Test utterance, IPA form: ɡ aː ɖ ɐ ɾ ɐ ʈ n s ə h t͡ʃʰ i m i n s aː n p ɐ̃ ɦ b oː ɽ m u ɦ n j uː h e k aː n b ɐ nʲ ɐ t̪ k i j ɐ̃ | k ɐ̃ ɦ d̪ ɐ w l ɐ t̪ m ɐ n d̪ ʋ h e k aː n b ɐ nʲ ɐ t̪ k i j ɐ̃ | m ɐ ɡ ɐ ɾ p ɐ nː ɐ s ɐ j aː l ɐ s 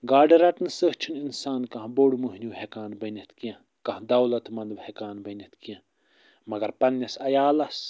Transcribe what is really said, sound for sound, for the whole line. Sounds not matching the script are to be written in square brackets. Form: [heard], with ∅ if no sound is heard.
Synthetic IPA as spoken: ɡ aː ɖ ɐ ɾ ɐ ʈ n s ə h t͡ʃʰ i [n] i n s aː n [k] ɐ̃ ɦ b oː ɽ m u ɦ n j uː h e k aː n b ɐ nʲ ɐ t̪ k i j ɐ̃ | k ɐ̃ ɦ d̪ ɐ w l ɐ t̪ m ɐ n d̪ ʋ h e k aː n b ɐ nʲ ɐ t̪ k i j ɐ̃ | m ɐ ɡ ɐ ɾ p ɐ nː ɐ s ɐ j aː l ɐ s